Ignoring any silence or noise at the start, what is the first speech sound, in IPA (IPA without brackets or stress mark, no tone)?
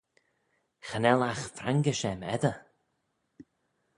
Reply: x